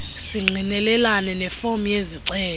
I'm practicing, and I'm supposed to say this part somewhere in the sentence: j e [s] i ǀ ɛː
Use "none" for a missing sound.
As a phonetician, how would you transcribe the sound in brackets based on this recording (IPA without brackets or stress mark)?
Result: z